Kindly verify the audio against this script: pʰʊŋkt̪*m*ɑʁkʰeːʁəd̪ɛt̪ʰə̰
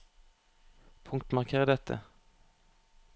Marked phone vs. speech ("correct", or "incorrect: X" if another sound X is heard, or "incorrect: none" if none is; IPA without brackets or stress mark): correct